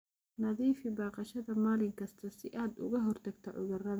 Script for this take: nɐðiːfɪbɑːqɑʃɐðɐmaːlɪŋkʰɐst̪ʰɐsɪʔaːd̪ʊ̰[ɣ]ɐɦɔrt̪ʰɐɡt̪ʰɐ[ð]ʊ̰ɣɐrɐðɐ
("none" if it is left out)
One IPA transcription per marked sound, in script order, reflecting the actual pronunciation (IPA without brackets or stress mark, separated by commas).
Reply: ɣ, ʕ